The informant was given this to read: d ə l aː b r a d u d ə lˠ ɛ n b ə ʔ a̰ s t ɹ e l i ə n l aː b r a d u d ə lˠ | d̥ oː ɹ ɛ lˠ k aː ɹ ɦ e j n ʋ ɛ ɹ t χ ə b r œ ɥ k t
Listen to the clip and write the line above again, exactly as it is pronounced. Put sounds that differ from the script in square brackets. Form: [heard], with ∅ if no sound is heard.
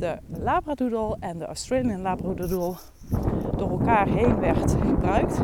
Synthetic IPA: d ə l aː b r a d u d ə lˠ ɛ n [d] ə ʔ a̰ s t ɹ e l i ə n l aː b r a d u d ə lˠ | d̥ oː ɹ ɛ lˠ k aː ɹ ɦ e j n ʋ ɛ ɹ t χ ə b r œ ɥ k t